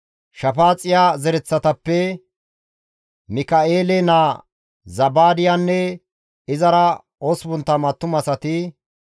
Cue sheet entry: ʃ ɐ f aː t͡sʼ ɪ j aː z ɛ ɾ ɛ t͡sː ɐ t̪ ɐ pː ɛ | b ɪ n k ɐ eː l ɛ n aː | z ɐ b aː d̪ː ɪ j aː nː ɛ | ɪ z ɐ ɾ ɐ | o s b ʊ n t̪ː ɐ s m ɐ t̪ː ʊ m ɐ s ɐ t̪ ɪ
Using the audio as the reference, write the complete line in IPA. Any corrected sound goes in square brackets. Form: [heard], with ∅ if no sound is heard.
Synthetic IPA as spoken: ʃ ɐ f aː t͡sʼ ɪ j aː z ɛ ɾ ɛ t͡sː ɐ t̪ ɐ pː ɛ | [m] ɪ [∅] k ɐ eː l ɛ n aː | z ɐ b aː [d̪] ɪ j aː nː ɛ | ɪ z ɐ ɾ ɐ | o s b ʊ n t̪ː ɐ [∅] m ɐ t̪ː ʊ m ɐ s ɐ t̪ ɪ